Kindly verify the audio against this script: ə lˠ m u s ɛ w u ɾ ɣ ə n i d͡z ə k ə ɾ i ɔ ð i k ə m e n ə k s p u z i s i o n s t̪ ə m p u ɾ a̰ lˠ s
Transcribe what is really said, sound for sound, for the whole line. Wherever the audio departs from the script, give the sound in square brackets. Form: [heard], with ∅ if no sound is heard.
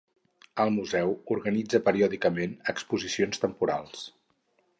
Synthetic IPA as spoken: ə lˠ m u [z] ɛ w u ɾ ɣ ə n i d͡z ə [p] ə ɾ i ɔ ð i k ə m e n ə k s p u z i s i o n s t̪ ə m p u ɾ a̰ lˠ s